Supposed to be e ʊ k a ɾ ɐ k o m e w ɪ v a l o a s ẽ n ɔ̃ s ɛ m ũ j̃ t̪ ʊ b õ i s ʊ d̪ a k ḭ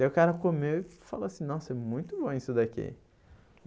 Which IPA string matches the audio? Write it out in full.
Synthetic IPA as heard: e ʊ k a ɾ ɐ k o m e w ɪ f a l o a s ĩ n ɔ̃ s ɛ m ũ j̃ t̪ ʊ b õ i s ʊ d̪ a k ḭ

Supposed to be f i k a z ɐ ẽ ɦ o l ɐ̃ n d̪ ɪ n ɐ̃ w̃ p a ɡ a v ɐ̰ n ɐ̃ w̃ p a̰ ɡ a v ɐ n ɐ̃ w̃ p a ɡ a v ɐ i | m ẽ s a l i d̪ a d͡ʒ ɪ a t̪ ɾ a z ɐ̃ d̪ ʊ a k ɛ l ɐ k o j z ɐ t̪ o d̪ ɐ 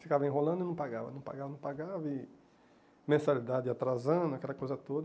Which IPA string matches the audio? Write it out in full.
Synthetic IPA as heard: f i k a v ɐ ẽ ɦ o l ɐ̃ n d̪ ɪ n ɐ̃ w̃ p a ɡ a v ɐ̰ n ɐ̃ w̃ p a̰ ɡ a v ɐ n ɐ̃ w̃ p a ɡ a v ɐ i | m ẽ s a l i d̪ a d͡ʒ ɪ a t̪ ɾ a z ɐ̃ d̪ ʊ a k ɛ l ɐ k o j z ɐ t̪ o d̪ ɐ

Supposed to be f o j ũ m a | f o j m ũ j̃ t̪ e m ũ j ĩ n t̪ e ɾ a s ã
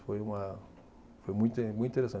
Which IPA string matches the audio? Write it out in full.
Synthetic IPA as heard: f o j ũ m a | f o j m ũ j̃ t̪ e m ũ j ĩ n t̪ e ɾ e s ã

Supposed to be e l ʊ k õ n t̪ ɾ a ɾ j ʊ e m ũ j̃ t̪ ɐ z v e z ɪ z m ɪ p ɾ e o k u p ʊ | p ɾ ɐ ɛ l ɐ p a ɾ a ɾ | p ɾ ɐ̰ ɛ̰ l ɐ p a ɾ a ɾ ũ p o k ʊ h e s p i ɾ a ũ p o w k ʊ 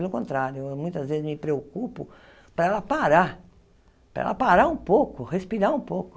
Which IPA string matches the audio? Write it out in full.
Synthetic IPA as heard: e l ʊ k õ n t̪ ɾ a ɾ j ʊ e m ũ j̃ t̪ ɐ z v e z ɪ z m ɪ p ɾ e o k u p ʊ | p ɾ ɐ ɛ l ɐ p a ɾ a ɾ | p ɾ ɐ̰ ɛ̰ l ɐ p a ɾ a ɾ ũ p o k ʊ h e s p i ɾ a ũ p o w k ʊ

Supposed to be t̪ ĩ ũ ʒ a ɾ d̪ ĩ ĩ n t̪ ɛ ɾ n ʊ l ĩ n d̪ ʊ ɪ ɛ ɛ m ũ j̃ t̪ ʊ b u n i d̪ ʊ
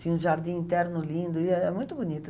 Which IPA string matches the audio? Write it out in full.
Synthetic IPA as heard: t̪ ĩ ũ ʒ a ɾ d̪ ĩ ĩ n t̪ ɛ ɾ n ʊ l ĩ n d̪ ʊ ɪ ɛ ɛ m ũ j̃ t̪ ʊ b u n i t̪ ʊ

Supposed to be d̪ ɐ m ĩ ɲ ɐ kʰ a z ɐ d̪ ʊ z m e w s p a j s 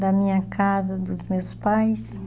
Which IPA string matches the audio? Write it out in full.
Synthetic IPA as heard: d̪ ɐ m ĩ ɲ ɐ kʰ a z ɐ d̪ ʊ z m e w s p a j s

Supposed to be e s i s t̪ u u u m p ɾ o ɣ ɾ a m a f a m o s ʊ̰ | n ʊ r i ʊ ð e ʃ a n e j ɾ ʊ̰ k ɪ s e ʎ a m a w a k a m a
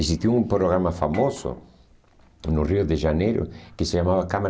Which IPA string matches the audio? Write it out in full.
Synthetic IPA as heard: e s i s t̪ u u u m p ɾ o ɣ ɾ a m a f a m o s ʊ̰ | n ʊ r i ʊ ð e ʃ a n e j ɾ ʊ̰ k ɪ s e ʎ a m a β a k a m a

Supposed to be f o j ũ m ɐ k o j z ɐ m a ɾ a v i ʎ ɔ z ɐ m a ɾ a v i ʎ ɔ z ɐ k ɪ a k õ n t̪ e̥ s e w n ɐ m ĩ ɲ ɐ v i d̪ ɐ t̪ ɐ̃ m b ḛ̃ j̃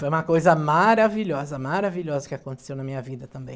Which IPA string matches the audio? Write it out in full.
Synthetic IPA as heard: f o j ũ m ɐ k o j z ɐ m a ɾ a v i ʎ ɔ z ɐ m a ɾ a v i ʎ ɔ z ɐ k ɪ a k õ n t̪ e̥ s e w n ɐ m ĩ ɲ ɐ v i d̪ ɐ t̪ ɐ̃ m b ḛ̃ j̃

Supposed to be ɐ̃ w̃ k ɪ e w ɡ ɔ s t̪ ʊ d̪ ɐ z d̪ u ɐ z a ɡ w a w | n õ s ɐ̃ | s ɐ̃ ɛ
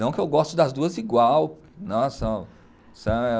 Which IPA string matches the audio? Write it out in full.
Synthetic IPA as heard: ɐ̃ w̃ k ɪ e w ɡ ɔ s t̪ ʊ d̪ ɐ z d̪ u ɐ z i ɡ w a w | n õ s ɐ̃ | s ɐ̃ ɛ

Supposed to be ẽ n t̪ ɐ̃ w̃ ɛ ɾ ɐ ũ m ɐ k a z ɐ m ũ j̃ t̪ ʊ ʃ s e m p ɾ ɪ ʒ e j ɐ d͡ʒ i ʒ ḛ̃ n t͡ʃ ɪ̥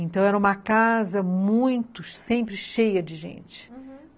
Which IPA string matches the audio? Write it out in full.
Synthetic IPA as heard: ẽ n t̪ ɐ̃ w̃ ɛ ɾ ɐ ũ m ɐ k a z ɐ m ũ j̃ t̪ ʊ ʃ s ẽ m p ɾ ɪ ʃ e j ɐ d͡ʒ ɪ ʒ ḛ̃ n t͡ʃ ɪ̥

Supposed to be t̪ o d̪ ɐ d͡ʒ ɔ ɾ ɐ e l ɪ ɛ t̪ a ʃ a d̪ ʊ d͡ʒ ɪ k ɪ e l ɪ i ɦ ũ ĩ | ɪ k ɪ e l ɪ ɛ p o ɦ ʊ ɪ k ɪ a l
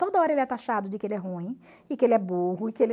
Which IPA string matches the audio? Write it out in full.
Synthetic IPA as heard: t̪ o d̪ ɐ ɔ ɾ ɐ e l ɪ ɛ t̪ a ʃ a d̪ ʊ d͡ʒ ɪ k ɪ e l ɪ ɛ ɦ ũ ĩ | ɪ k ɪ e l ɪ ɛ b o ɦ ʊ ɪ k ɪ e l

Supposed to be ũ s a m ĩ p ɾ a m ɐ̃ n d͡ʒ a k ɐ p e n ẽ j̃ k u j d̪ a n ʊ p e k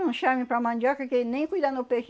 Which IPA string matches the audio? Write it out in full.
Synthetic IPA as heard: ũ ʃ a m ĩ p ɾ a m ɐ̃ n d͡ʒ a k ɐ k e n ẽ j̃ k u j d̪ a n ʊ p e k

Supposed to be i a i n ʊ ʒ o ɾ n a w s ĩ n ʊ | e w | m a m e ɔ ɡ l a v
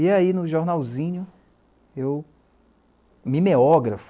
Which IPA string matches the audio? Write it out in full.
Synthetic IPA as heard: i a i n ʊ ʒ o ɾ n a w z ĩ ɲ ʊ | e w | m i m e ɔ ɡ ɾ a f

